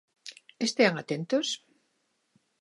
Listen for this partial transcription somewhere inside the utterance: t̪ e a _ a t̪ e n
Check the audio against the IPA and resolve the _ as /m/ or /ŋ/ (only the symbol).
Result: ŋ